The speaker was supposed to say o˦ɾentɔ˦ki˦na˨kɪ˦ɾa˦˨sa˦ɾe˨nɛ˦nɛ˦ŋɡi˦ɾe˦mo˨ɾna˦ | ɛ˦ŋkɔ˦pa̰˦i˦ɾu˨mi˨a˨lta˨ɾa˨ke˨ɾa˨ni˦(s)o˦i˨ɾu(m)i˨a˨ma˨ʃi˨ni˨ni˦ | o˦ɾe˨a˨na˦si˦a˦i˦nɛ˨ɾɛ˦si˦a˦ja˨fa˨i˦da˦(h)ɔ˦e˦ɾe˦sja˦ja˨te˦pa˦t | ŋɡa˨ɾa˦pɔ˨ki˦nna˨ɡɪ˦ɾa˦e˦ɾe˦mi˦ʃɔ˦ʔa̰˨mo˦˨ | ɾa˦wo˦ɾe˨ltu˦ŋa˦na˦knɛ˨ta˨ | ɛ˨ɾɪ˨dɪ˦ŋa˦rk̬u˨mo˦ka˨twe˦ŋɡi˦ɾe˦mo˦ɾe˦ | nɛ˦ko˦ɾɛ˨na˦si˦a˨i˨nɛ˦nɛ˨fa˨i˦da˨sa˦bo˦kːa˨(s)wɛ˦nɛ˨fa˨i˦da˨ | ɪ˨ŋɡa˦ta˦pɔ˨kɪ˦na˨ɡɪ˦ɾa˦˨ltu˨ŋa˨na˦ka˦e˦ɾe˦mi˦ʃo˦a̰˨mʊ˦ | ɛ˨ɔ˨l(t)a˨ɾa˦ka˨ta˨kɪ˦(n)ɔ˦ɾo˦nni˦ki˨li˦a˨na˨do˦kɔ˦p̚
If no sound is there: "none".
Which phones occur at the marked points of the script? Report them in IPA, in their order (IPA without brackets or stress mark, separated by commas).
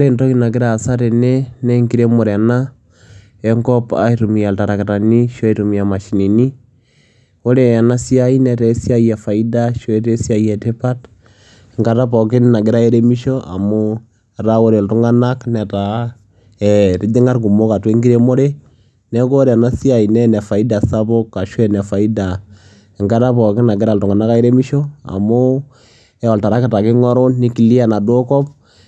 ʃ, m, ʃ, ʃ, t, ŋ